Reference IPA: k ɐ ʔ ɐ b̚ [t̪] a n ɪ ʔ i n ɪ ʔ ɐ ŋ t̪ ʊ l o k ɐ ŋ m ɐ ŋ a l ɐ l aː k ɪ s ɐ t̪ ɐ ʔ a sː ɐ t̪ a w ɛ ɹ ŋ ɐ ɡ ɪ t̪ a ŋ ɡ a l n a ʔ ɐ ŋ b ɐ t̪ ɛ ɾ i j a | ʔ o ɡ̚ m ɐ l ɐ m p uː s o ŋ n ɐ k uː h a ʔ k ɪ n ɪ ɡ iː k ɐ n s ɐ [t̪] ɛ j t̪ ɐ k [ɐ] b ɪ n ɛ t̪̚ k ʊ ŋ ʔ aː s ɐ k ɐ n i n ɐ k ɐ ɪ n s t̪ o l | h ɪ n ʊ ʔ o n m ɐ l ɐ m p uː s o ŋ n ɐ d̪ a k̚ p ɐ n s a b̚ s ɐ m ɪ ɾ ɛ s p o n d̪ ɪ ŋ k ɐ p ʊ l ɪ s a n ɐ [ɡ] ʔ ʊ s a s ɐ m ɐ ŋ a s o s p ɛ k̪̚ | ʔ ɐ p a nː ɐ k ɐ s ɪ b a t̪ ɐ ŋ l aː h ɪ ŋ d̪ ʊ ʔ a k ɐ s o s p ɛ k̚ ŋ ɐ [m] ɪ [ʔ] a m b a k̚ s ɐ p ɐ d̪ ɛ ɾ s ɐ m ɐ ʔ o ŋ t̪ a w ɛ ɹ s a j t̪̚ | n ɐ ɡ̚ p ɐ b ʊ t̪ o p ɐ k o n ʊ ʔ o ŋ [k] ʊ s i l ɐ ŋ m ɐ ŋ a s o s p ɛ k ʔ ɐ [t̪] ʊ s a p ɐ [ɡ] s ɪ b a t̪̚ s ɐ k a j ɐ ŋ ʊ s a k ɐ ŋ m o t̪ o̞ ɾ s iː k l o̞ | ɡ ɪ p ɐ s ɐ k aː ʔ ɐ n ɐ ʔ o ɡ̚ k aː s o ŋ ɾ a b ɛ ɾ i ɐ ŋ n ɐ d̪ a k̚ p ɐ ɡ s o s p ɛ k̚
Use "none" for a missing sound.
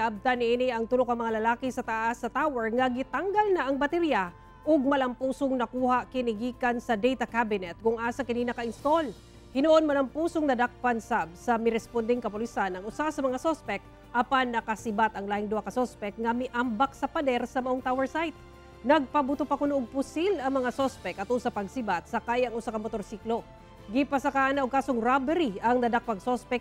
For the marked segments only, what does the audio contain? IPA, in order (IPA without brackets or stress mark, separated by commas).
t̪, d̪, a, ŋ, m, ʔ, p, t̪, ɡ